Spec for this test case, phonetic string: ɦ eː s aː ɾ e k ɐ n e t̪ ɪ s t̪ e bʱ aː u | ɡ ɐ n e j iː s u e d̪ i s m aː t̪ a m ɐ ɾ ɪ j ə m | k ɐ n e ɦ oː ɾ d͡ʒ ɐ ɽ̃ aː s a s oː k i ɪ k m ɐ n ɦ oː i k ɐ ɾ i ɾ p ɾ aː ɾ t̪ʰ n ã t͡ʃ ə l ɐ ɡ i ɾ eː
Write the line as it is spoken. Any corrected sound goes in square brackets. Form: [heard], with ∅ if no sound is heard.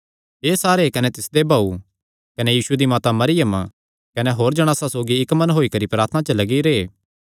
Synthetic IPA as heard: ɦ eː s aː ɾ e k ɐ n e t̪ ɪ s [d̪] e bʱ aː u | [k] ɐ n e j iː s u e d̪ i [∅] m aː t̪ a m ɐ ɾ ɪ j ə m | k ɐ n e ɦ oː ɾ d͡ʒ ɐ ɽ̃ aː s a s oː [ɡ] i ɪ k m ɐ n ɦ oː i k ɐ ɾ i [∅] p ɾ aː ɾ t̪ʰ n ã t͡ʃ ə l ɐ ɡ i ɾ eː